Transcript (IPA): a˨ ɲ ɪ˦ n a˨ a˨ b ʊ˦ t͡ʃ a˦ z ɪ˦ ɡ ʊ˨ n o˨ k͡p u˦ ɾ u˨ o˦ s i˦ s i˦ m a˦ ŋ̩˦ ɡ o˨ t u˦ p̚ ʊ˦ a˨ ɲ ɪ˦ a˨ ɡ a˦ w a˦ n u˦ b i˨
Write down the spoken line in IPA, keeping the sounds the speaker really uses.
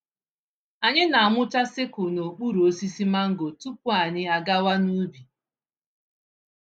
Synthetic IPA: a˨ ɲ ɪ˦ n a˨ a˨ m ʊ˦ t͡ʃ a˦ s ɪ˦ k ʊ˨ n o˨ k͡p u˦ ɾ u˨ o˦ s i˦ s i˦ m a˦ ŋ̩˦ ɡ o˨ t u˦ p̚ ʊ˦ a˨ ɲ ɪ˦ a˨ ɡ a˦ w a˦ n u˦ b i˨